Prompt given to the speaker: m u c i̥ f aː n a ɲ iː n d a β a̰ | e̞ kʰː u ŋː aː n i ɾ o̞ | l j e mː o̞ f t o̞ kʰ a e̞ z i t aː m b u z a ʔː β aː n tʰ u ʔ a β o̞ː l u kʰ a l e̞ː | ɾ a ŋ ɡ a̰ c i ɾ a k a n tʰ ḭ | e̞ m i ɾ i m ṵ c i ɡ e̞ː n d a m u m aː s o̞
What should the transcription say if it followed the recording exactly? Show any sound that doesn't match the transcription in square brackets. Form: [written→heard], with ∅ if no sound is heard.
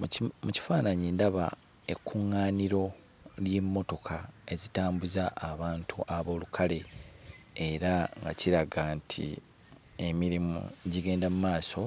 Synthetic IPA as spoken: m u c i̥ f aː n a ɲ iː n d a β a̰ | e̞ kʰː u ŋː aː n i ɾ o̞ | l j e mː o̞ [f→∅] t o̞ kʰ a e̞ z i t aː m b u z a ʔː β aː n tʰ u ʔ a β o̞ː l u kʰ a l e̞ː | ɾ a ŋ ɡ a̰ c i ɾ a [k→ɡ] a n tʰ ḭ | e̞ m i ɾ i m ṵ [c→ɟ] i ɡ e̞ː n d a m u m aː s o̞